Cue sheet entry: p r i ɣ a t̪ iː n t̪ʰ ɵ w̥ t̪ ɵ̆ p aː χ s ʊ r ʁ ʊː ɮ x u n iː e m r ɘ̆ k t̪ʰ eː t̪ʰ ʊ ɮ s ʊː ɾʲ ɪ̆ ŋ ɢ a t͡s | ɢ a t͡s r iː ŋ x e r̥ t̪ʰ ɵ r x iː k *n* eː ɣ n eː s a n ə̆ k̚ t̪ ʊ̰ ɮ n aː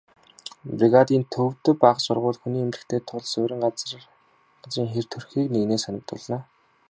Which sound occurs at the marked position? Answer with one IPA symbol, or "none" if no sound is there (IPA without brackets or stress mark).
n